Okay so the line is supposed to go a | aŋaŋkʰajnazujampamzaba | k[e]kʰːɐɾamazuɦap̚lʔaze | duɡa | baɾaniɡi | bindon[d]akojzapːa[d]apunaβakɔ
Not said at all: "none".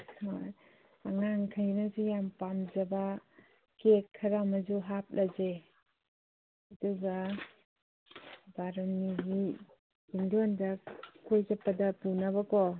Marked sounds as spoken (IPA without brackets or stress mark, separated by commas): e, d, d